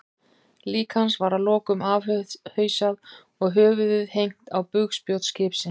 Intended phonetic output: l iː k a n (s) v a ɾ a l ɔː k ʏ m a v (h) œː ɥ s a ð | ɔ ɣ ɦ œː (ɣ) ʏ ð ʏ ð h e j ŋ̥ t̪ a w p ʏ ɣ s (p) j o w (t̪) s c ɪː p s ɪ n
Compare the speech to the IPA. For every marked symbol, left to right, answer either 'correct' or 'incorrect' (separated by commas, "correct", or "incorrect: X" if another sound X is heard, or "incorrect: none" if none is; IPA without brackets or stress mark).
correct, correct, incorrect: v, correct, correct